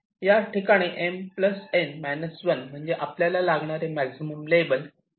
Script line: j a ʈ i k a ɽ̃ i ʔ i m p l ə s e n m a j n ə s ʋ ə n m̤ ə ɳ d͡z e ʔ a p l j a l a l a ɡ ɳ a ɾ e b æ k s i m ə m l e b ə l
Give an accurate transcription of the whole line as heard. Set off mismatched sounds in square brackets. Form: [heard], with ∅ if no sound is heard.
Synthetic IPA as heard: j a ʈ i k a ɽ̃ i ʔ [e] m p l ə s e n m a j n ə s ʋ ə n m̤ ə ɳ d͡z e ʔ a p l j a l a l a ɡ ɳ a ɾ e [m] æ k s i m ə m l e b ə l